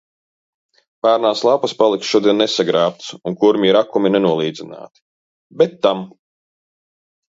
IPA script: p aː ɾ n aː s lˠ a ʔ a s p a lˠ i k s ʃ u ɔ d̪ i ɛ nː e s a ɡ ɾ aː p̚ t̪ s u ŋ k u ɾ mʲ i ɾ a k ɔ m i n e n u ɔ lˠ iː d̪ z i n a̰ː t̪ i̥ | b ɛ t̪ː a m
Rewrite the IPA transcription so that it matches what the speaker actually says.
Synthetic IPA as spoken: p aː ɾ n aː s lˠ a p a s p a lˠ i k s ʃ u ɔ d̪ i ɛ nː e s a ɡ ɾ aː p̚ t̪ s u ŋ k u ɾ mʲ i ɾ a k u m i n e n u ɔ lˠ iː d̪ z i n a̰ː t̪ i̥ | b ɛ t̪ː a m